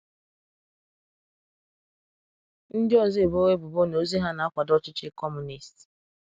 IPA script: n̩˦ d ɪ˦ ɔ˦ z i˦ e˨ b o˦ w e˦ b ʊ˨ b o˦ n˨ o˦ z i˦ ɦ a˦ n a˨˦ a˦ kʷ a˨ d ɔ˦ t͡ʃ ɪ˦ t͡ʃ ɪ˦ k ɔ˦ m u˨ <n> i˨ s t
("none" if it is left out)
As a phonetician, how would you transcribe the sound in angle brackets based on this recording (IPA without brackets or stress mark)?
n